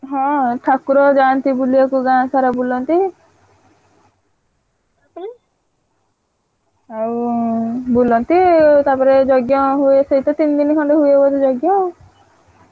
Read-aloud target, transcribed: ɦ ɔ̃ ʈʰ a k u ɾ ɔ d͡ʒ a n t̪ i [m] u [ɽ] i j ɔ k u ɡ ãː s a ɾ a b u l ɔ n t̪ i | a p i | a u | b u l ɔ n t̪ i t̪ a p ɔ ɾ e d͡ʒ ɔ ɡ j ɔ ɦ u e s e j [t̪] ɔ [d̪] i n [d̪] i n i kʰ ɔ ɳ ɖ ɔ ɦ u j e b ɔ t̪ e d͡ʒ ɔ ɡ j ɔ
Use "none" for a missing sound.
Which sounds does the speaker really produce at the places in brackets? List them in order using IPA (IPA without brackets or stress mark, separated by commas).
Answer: b, l, t̪, t̪, d̪